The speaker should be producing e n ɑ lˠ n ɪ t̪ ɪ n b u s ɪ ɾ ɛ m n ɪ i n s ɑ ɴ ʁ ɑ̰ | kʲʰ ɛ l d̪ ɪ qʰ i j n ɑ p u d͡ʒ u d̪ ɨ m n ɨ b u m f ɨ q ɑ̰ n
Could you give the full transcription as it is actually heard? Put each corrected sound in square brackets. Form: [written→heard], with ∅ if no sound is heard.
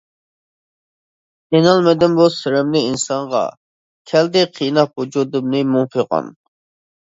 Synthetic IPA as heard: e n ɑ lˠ [n→m] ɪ [t̪→d̪] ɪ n b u s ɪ ɾ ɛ m n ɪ i n s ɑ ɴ ʁ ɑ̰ | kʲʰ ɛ l d̪ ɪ qʰ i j n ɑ p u d͡ʒ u d̪ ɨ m n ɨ [b→m] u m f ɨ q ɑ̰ n